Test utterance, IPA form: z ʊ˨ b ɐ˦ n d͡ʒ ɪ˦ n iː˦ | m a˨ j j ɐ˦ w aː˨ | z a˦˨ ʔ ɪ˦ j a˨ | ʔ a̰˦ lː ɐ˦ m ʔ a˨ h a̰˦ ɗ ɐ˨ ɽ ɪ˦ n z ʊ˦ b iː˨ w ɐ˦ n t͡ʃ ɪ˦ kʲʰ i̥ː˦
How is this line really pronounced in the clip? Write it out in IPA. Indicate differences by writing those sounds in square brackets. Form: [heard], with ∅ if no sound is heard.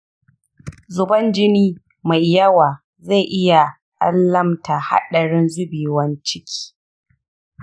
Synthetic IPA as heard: z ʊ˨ b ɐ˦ n d͡ʒ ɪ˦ n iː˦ | m a˨ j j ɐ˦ w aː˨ | z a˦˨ ʔ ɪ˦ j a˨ | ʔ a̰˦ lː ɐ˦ m [t] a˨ h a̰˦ ɗ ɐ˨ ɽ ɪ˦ n z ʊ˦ b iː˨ w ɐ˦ n t͡ʃ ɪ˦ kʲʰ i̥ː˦